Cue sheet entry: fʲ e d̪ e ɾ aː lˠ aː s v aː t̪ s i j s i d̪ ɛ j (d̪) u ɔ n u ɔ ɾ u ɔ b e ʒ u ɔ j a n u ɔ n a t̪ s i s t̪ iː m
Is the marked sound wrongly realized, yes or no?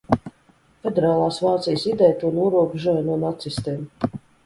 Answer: yes